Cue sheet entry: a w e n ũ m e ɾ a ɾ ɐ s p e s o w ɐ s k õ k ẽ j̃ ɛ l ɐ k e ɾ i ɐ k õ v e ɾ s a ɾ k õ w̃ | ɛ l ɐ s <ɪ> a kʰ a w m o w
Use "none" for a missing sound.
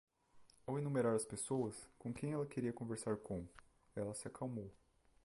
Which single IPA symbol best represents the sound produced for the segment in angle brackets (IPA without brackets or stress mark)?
ɪ